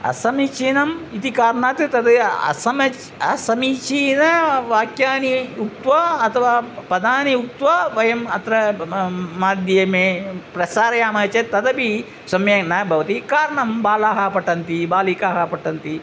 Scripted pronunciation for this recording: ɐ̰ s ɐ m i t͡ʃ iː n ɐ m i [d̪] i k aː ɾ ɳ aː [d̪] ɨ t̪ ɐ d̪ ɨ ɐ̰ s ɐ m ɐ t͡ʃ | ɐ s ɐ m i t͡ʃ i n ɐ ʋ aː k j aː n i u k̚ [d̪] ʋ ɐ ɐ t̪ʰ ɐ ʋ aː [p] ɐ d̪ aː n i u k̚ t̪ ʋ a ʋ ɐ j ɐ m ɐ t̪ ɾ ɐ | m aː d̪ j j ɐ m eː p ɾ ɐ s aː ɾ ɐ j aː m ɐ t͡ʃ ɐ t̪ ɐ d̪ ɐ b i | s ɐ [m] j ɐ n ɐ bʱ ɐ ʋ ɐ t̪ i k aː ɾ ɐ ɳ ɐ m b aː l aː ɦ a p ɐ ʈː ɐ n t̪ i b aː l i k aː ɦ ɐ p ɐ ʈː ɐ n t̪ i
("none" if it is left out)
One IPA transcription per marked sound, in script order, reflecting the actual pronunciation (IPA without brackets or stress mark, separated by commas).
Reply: t̪, t̪, t̪, p, m